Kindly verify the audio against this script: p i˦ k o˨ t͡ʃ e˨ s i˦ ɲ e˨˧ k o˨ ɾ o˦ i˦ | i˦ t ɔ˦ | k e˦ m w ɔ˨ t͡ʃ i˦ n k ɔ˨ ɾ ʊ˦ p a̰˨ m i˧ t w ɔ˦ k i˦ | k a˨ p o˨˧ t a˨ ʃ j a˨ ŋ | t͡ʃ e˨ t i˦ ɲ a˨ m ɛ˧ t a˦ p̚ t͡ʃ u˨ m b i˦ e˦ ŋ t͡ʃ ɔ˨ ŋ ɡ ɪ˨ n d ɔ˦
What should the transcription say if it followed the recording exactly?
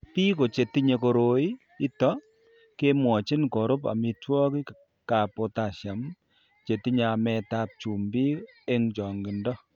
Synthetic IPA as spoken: p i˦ k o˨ t͡ʃ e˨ t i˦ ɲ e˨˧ k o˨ ɾ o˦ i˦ | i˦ t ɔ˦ | k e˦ m w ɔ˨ t͡ʃ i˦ n k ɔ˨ ɾ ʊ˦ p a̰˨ m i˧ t w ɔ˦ k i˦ | k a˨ p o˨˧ t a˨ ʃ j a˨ m | t͡ʃ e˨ t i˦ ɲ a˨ m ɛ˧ t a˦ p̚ t͡ʃ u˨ m b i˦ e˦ ŋ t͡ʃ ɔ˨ ŋ ɡ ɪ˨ n d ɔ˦